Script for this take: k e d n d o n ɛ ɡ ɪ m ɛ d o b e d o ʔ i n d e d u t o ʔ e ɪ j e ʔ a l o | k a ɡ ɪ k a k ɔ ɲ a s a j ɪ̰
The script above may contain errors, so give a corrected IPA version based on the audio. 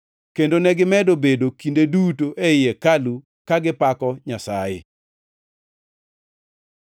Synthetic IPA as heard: k e n d o n ɛ ɡ ɪ m ɛ d o b e d o k i n d e d u t o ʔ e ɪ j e k a l u | k a ɡ ɪ p a k ɔ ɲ a s a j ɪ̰